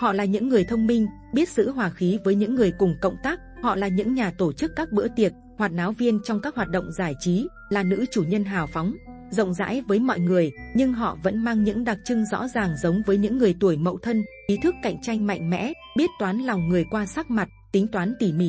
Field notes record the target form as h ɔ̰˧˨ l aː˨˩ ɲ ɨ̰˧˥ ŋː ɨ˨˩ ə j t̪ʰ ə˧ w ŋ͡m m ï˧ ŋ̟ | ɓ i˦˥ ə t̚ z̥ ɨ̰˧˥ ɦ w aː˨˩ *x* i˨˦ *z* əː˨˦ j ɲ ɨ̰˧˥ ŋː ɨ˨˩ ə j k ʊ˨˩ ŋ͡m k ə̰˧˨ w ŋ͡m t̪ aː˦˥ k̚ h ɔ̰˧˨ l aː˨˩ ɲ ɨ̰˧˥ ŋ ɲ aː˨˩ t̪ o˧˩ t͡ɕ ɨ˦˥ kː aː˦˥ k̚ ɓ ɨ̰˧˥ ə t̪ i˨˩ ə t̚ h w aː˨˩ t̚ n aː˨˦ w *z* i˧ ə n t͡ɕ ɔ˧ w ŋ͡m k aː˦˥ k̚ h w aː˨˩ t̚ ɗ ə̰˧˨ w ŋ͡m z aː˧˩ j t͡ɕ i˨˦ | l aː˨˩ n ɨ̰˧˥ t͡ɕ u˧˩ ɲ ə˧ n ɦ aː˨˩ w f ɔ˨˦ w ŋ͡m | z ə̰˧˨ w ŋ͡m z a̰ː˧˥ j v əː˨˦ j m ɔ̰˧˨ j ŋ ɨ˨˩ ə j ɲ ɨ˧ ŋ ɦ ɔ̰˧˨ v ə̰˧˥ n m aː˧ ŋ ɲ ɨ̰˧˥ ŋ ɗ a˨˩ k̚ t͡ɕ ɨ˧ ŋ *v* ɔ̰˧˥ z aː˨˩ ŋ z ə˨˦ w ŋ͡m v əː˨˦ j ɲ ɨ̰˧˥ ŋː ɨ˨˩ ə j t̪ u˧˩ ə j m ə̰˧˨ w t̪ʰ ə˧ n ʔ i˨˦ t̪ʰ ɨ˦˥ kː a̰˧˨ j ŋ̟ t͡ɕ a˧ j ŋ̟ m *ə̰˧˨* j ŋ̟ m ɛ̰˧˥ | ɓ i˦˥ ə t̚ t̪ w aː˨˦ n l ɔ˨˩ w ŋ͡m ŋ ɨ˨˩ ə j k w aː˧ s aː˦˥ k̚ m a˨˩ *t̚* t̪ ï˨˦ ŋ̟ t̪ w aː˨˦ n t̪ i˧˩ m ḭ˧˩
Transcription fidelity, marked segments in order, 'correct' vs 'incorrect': correct, incorrect: v, incorrect: v, incorrect: z, incorrect: a̰˧˨, correct

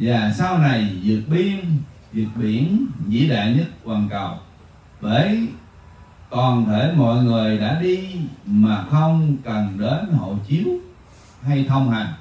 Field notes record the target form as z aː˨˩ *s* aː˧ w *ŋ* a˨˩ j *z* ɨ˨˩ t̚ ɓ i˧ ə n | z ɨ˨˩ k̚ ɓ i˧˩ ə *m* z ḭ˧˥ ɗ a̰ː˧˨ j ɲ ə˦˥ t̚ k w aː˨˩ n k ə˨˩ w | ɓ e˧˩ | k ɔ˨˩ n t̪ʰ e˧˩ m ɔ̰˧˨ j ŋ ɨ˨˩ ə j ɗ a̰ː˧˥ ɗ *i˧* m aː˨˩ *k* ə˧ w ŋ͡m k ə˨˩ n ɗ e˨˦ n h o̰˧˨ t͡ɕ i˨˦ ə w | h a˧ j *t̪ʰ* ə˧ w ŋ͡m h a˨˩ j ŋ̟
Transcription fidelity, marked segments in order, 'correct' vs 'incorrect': correct, incorrect: n, correct, incorrect: n, correct, incorrect: x, correct

